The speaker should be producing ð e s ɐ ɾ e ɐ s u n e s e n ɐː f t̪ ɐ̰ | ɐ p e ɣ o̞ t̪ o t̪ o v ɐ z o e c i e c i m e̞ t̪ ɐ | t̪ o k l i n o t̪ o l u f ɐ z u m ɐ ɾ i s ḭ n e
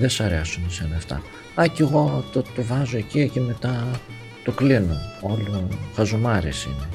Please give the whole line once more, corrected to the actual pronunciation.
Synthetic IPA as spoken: ð e s ɐ ɾ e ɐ s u n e s e n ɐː f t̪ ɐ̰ | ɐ c e ɣ o̞ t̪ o t̪ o v ɐ z o e c i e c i m e̞ t̪ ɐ | t̪ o k l i n o o l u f ɐ z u m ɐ ɾ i s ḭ n e